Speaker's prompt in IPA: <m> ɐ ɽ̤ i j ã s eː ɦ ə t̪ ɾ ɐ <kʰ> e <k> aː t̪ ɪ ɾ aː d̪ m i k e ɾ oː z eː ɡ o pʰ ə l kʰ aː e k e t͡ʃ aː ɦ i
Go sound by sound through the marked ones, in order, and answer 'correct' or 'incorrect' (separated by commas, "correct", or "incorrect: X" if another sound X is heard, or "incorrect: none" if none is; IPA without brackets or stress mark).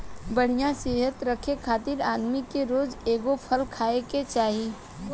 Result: incorrect: b, correct, incorrect: kʰ